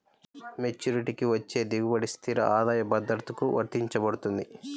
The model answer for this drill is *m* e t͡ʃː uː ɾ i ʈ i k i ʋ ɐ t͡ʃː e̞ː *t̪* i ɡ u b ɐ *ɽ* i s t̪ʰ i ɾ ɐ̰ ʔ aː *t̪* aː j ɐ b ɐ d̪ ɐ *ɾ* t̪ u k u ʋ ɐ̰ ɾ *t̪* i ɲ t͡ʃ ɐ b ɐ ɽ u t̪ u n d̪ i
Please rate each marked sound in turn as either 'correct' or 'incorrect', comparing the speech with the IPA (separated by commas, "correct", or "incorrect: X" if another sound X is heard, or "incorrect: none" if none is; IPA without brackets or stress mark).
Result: correct, incorrect: d̪, correct, incorrect: d̪, correct, correct